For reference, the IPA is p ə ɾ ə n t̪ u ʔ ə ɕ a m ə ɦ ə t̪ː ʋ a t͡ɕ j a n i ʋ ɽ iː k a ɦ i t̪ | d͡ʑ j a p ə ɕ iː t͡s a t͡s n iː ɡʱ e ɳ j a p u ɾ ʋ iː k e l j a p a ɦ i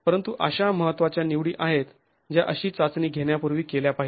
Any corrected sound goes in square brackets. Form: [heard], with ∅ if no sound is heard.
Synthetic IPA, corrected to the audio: p ə ɾ ə n t̪ u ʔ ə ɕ a m ə ɦ ə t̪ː ʋ a t͡ɕ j a n i ʋ ɽ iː [ʔ] a ɦ [e] t̪ | d͡ʑ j a [ʔ] ə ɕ iː t͡s a t͡s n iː ɡʱ e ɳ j a p u ɾ ʋ iː k e l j a p a ɦ i